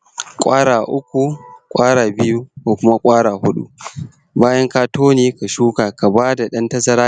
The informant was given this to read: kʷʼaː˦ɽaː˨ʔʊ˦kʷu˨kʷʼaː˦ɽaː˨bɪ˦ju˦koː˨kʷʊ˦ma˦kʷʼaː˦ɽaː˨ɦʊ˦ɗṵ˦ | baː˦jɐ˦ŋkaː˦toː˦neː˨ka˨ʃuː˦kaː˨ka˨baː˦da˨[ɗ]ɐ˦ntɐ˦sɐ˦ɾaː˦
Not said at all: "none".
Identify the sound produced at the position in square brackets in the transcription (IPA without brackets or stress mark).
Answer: ɗ